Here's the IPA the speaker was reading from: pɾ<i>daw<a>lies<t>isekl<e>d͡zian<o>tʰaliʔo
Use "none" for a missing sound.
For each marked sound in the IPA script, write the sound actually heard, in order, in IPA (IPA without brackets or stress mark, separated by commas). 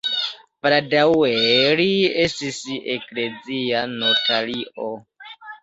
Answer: a, e, t, e, o